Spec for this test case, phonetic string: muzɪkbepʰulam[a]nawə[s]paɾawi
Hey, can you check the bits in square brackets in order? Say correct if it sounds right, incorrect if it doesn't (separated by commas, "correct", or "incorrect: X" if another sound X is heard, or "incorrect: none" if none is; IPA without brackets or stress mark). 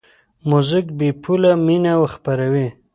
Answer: incorrect: i, incorrect: x